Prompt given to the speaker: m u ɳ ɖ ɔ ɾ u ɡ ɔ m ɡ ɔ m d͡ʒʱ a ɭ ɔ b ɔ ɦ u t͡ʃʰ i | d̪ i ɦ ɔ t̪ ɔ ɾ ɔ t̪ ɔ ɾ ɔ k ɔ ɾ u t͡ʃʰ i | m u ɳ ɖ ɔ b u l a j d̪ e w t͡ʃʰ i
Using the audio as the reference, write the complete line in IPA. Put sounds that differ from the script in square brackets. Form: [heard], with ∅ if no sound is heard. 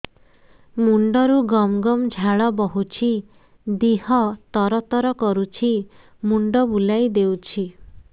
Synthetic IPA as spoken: m u ɳ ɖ ɔ ɾ u ɡ ɔ m ɡ ɔ m d͡ʒʱ a ɭ ɔ b ɔ ɦ u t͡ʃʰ i | d̪ i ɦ ɔ t̪ ɔ ɾ ɔ t̪ ɔ ɾ ɔ k ɔ ɾ u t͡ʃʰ i | m u ɳ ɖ ɔ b u l a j d̪ e w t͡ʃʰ i